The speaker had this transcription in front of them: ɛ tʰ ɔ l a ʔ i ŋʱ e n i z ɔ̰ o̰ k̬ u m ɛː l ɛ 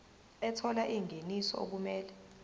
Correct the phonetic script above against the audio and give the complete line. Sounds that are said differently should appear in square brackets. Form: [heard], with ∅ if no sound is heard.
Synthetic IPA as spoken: ɛ tʰ ɔ l a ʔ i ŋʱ e n i [s] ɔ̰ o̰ k̬ u m ɛː l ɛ